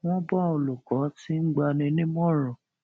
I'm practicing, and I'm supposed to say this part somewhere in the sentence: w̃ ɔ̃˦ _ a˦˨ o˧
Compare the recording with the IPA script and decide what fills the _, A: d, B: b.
B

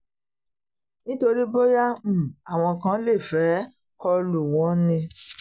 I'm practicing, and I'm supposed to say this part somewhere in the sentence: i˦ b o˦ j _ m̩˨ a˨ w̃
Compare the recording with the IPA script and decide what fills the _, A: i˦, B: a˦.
B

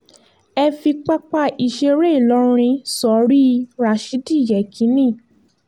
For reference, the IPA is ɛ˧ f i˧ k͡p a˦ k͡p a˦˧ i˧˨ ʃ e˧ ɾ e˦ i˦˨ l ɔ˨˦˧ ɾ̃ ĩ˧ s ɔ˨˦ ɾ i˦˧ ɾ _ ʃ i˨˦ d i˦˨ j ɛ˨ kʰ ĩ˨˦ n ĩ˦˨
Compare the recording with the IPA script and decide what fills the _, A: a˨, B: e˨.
A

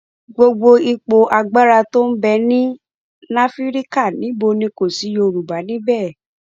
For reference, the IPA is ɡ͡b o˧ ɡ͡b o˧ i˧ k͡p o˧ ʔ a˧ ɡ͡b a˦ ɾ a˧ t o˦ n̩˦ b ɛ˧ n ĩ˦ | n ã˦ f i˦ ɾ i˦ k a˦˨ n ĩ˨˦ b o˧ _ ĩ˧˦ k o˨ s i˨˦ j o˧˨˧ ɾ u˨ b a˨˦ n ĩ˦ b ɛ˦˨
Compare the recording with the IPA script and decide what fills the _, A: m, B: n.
B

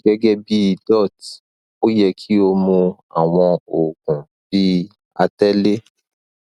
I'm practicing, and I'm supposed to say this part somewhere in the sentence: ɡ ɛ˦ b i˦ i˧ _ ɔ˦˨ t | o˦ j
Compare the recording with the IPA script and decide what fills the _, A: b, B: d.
B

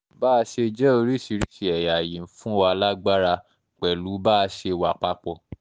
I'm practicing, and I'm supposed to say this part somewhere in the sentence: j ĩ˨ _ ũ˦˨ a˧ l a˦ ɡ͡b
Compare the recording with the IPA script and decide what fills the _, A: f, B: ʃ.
A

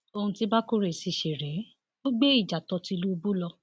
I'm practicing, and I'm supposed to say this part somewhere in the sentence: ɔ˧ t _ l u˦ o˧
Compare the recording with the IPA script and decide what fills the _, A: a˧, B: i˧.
B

